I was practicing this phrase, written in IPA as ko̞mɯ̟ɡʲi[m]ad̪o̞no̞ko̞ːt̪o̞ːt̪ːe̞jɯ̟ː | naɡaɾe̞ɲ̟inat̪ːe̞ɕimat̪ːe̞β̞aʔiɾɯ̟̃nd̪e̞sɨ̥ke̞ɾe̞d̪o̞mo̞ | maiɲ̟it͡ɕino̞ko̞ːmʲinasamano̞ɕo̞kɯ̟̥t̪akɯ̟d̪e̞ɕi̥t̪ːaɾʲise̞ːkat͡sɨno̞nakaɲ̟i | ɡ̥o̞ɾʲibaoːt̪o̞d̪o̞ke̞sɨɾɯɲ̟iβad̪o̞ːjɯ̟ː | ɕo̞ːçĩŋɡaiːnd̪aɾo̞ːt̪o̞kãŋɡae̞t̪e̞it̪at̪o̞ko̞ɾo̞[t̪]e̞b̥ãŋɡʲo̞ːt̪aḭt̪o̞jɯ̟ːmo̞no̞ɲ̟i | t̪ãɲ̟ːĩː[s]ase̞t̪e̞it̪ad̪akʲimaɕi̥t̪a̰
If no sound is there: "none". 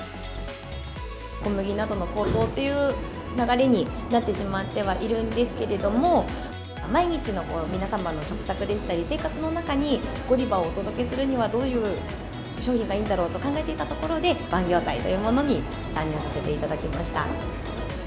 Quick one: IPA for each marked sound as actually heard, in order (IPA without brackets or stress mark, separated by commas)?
n, d̪, s